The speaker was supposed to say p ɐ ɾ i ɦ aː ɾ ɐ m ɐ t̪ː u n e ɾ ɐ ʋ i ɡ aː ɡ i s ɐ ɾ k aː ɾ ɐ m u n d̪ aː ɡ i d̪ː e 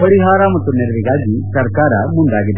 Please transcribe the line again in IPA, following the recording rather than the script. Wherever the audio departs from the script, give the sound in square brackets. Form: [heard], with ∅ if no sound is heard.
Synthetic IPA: p ɐ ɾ i ɦ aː ɾ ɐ m ɐ t̪ː u n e ɾ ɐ ʋ i ɡ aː ɡ i s ɐ ɾ k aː ɾ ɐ m u n d̪ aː ɡ i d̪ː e